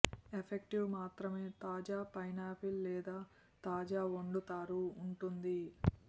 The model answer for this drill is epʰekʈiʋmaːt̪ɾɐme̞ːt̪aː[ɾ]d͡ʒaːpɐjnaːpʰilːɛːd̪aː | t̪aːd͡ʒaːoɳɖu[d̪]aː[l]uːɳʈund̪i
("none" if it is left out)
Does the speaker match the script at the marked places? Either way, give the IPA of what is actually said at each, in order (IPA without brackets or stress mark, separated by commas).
none, t̪, ɾ